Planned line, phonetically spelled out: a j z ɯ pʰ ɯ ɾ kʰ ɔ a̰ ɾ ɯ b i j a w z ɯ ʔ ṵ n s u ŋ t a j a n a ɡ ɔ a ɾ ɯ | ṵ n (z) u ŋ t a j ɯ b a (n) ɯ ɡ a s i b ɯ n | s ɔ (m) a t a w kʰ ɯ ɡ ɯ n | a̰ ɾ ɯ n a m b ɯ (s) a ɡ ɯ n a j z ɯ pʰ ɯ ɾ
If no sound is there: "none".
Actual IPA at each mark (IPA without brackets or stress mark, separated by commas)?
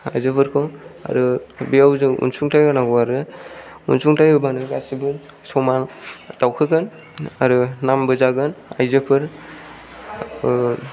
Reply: s, n, m, z